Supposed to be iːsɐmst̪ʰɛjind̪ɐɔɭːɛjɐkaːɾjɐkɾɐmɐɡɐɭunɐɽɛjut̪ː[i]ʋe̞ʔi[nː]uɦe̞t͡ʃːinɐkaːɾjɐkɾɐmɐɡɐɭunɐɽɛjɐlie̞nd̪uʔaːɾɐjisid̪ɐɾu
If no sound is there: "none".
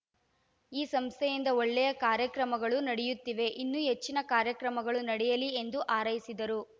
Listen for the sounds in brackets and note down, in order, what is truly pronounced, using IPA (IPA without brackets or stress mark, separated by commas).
i, nː